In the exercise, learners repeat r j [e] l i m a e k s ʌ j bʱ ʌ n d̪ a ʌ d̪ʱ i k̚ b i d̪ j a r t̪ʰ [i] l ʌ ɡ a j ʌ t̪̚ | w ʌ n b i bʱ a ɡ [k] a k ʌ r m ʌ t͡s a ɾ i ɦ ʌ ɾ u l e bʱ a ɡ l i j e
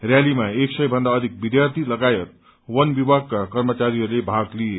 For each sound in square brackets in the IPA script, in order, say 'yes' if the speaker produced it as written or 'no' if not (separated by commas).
no, yes, yes